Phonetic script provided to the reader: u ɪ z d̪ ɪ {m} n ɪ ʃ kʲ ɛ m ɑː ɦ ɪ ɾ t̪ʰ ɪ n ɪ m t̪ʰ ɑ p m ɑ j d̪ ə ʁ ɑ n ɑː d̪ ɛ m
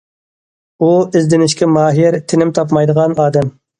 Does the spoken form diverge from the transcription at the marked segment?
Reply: yes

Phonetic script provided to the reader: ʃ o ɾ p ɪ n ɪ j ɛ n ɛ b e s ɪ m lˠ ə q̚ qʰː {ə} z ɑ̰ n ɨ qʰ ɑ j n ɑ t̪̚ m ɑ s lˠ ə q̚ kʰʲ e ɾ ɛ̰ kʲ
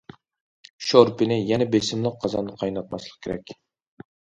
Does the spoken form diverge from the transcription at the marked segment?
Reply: yes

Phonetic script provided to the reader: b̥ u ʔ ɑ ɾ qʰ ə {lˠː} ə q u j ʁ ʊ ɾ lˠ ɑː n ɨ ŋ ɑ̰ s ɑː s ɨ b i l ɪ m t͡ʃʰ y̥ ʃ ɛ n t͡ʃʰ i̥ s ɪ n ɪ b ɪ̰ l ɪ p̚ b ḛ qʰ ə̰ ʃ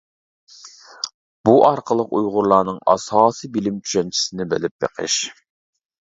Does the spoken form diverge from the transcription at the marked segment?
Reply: yes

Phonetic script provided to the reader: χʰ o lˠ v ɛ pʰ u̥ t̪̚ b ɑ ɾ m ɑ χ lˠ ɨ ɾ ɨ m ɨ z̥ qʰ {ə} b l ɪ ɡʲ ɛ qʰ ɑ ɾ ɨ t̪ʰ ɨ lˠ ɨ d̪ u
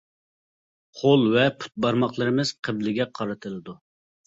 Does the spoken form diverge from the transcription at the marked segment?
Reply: no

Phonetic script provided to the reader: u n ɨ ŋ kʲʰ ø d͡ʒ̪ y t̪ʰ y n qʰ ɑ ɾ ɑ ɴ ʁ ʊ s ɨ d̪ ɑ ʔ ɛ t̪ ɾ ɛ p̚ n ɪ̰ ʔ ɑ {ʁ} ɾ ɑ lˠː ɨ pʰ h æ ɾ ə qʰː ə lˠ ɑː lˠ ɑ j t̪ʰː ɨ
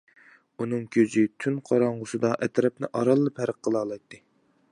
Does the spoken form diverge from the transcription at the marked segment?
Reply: yes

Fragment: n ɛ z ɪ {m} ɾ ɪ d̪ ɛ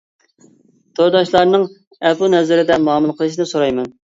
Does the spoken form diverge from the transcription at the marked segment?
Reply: yes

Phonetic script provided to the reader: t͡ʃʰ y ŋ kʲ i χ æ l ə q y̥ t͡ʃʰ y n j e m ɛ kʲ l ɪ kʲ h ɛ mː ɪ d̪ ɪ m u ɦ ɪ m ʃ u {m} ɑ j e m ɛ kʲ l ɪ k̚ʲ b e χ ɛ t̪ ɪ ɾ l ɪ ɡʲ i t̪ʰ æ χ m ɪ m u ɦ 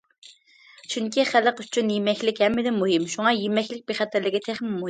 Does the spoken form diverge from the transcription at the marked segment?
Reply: yes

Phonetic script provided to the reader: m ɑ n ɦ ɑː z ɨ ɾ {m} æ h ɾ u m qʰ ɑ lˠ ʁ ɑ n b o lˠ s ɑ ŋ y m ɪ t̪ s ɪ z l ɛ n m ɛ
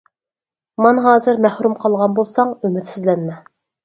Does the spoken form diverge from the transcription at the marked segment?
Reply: no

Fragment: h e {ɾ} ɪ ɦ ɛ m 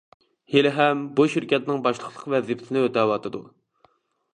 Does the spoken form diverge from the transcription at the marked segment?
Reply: yes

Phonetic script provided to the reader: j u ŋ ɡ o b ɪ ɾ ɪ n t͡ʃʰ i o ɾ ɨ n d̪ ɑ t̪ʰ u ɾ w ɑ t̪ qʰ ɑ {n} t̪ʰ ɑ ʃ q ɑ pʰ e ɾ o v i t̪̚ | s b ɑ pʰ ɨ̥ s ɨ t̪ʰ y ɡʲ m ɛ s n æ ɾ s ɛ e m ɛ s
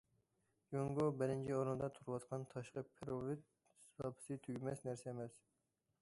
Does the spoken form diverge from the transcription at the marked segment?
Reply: no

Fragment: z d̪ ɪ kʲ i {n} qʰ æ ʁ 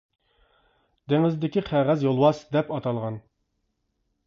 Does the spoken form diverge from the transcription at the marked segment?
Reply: yes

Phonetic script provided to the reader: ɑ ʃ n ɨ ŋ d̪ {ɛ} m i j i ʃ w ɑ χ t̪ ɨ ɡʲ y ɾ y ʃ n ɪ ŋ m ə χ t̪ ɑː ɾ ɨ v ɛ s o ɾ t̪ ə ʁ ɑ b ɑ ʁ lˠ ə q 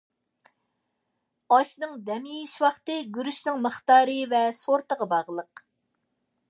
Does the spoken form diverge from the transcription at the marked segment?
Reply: no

